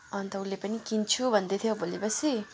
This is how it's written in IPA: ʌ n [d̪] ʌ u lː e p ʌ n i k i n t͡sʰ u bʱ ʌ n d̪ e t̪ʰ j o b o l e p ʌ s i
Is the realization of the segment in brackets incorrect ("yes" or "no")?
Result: yes